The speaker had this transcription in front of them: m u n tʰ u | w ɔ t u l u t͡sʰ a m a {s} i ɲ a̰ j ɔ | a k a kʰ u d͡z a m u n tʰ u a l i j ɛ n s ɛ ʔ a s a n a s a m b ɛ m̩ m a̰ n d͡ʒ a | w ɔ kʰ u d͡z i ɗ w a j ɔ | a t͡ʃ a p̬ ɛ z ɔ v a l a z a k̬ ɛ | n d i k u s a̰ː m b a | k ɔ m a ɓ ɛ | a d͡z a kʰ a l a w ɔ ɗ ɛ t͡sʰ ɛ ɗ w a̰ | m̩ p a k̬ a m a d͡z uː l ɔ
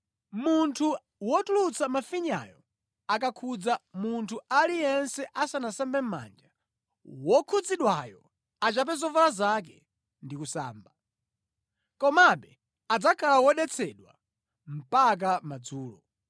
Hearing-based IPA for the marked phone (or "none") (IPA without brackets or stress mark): f